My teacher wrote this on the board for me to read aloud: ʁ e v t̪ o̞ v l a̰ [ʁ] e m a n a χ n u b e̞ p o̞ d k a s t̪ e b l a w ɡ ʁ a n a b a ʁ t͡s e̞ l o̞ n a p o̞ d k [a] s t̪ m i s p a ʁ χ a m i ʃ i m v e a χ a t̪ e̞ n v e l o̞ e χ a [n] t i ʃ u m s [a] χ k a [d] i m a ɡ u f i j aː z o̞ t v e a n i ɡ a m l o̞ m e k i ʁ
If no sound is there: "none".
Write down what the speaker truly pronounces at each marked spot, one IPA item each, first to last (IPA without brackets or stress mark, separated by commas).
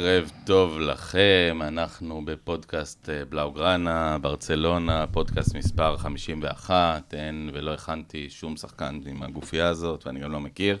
χ, a, n, a, n